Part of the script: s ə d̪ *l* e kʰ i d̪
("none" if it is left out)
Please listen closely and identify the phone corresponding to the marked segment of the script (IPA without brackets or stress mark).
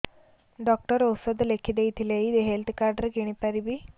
l